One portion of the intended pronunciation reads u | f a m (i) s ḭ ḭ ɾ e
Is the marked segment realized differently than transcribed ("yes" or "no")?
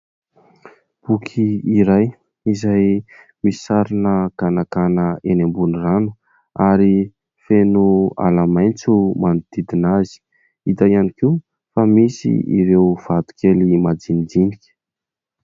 no